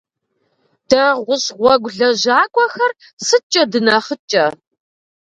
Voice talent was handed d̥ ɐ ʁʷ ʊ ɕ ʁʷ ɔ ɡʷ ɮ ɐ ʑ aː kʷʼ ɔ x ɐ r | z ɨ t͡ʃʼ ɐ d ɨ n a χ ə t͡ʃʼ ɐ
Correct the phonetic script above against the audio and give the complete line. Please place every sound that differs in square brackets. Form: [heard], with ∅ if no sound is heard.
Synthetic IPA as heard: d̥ ɐ ʁʷ ʊ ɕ ʁʷ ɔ ɡʷ ɮ ɐ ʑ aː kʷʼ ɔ x ɐ r | [s] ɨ t͡ʃʼ ɐ d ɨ n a χ ə t͡ʃʼ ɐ